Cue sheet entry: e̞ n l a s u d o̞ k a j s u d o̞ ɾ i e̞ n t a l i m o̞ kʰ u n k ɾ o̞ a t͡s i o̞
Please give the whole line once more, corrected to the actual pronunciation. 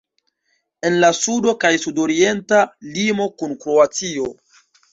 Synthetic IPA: e̞ n l a s u d o̞ k a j s u d o̞ ɾ i e̞ n t a l i m o̞ k u n k ɾ o̞ a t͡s i o̞